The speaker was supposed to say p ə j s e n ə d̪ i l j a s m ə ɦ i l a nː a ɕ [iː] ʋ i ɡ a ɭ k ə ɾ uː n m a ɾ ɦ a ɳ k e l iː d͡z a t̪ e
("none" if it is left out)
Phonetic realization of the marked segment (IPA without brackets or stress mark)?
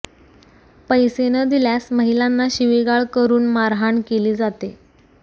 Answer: i